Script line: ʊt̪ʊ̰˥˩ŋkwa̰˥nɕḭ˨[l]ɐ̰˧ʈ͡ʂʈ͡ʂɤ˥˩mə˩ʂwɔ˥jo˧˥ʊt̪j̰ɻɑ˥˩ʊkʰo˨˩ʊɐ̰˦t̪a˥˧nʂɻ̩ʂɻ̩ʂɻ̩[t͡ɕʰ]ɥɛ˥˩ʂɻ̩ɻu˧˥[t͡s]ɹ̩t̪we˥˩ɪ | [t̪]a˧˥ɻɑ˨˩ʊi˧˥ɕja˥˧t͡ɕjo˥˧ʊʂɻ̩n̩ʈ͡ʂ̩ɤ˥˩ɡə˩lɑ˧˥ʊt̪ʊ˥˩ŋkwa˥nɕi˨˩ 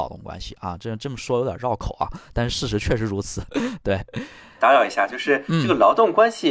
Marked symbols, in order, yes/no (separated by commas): no, yes, no, yes